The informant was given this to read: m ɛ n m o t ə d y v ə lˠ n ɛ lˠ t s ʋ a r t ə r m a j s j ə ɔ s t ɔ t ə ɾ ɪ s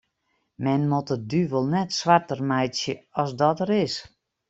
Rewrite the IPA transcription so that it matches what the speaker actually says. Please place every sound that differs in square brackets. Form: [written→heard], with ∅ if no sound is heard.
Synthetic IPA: m ɛ n m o t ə d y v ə lˠ n ɛ [lˠ→∅] t s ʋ a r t ə r m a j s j ə ɔ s [t→d] ɔ t ə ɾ ɪ s